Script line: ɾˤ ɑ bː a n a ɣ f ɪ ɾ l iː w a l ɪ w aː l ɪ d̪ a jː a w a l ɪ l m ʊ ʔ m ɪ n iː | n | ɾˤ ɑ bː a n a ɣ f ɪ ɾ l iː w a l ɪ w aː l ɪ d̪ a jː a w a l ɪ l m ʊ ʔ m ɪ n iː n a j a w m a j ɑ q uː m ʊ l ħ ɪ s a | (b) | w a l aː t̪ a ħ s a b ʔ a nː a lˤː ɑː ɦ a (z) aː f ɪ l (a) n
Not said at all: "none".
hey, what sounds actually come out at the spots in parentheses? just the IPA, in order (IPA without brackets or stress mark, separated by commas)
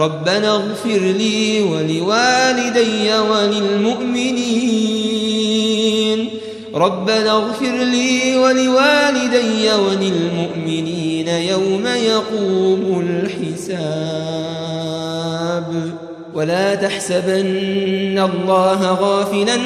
b, ɣ, a